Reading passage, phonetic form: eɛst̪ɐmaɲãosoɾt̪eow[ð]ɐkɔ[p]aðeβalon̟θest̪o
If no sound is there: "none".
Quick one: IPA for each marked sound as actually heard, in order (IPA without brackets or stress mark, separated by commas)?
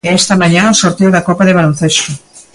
ð, p